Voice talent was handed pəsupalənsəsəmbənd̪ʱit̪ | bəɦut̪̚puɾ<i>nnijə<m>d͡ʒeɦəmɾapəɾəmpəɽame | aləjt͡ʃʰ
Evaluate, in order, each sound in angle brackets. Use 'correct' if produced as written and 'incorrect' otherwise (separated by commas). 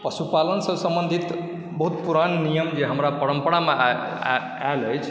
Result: incorrect, correct